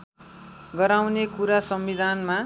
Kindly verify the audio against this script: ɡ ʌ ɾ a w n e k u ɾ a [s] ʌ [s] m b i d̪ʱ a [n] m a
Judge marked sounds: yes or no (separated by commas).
yes, no, yes